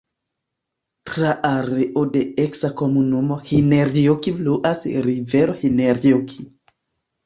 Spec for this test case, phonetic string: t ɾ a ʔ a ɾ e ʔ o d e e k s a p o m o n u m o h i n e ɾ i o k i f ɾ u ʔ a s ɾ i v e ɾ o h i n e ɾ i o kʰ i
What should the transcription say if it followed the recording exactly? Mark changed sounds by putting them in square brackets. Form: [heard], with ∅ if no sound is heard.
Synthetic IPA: t ɾ a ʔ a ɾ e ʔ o d e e k s a [k] o m [u] n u m o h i n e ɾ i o k i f [l] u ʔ a s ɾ i v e ɾ o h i n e ɾ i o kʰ i

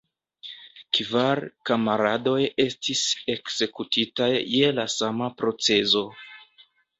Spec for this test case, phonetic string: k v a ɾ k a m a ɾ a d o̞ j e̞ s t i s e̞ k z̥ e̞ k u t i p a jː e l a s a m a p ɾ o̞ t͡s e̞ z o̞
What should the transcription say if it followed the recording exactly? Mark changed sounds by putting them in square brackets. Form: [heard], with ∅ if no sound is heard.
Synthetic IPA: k v a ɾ k a m a ɾ a d o̞ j e̞ s t i s e̞ k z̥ e̞ k u t i [t] a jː e l a s a m a p ɾ o̞ t͡s e̞ z o̞

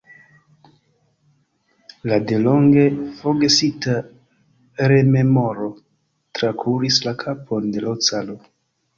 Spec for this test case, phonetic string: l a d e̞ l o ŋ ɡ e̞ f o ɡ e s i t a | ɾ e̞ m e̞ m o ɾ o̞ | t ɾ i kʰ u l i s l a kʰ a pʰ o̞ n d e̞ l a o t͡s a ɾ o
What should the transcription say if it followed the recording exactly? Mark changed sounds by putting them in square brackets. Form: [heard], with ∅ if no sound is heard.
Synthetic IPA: l a d e̞ l o ŋ ɡ e̞ f o ɡ e s i t a | ɾ e̞ m e̞ m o ɾ o̞ | t ɾ [a] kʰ u [ɾ] i s l a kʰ a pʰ o̞ n d e̞ l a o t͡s a [l] o

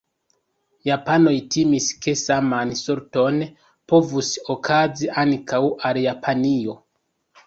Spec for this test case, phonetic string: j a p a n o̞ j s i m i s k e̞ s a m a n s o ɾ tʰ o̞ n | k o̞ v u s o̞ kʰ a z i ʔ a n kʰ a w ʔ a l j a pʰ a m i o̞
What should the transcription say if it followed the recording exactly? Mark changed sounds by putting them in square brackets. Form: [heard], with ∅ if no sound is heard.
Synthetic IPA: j a p a n o̞ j [t] i m i s k e̞ s a m a n s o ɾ [t] o̞ n | [p] o̞ v u s o̞ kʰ a z i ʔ a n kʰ a w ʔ a l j a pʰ a [n] i o̞

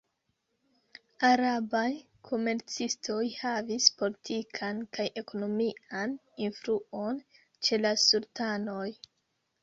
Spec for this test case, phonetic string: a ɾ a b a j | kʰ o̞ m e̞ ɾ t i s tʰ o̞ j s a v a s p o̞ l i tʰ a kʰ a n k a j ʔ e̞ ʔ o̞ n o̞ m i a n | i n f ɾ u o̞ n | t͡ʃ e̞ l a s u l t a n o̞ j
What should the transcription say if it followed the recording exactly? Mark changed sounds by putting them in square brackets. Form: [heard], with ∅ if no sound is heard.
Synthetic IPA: a ɾ a b a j | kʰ o̞ m e̞ ɾ [t͡s] i s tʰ o̞ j [h] a v [i] s p o̞ l i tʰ [i] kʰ a n k a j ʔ e̞ [k] o̞ n o̞ m i a n | i n f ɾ u o̞ n | t͡ʃ e̞ l a s u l t a n o̞ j

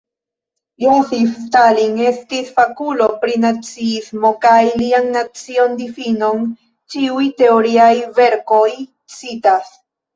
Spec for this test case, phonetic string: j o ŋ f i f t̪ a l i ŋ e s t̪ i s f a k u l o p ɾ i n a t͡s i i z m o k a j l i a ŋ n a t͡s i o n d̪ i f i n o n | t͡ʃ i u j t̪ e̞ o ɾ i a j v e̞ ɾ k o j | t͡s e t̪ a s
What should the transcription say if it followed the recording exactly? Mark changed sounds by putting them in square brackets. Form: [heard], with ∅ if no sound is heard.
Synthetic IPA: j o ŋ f i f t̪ a l i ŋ e s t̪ i s f a k u l o p ɾ i n a t͡s i i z m o k a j l i a ŋ n a t͡s i o n d̪ i f i n o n | t͡ʃ i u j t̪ e̞ o ɾ i a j v e̞ ɾ k o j | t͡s [i] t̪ a s

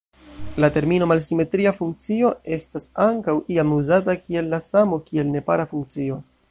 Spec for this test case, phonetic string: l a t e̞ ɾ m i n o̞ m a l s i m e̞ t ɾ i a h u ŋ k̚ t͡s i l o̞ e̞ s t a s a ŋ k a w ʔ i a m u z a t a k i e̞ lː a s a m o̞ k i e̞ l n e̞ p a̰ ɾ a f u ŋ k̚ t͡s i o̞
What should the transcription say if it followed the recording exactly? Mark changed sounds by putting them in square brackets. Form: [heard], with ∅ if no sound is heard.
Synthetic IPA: l a t e̞ ɾ m i n o̞ m a l s i m e̞ t ɾ i a [f] u ŋ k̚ t͡s i [∅] o̞ e̞ s t a s a ŋ k a w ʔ i a m u z a t a k i e̞ lː a s a m o̞ k i e̞ l n e̞ p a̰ ɾ a f u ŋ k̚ t͡s i o̞

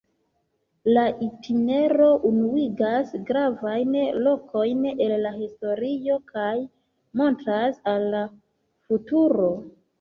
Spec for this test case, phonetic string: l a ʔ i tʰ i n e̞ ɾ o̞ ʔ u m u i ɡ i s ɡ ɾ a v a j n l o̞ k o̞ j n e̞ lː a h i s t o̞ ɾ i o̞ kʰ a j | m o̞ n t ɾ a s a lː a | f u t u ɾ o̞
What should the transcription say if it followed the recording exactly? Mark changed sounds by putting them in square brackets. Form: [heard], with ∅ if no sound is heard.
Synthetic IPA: l a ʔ i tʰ i n e̞ ɾ o̞ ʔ u [n] u i ɡ [a] s ɡ ɾ a v a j n l o̞ k o̞ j n e̞ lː a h i s t o̞ ɾ i o̞ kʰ a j | m o̞ n t ɾ a s a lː a | f u t u ɾ o̞

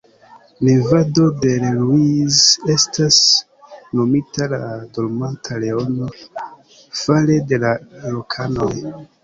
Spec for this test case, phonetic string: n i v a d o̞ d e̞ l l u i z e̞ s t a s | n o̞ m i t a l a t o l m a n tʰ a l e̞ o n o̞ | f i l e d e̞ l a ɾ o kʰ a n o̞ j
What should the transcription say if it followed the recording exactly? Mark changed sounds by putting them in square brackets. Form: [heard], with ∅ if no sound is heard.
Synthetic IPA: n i v a d o̞ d e̞ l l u i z e̞ s t a s | n o̞ m i t a l a [d] o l m a n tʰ a l e̞ o n o̞ | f [a] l e d e̞ l a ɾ o kʰ a n o̞ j

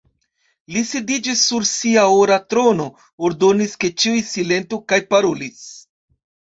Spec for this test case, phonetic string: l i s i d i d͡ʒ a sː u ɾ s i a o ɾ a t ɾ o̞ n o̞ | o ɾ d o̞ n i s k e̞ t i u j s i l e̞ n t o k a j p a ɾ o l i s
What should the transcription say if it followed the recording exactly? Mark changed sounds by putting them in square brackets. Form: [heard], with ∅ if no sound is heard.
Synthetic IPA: l i s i d i d͡ʒ [i] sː u ɾ s i a o ɾ a t ɾ o̞ n o̞ | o ɾ d o̞ n i s k e̞ [t͡ʃ] i u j s i l e̞ n t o k a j p a ɾ o l i s

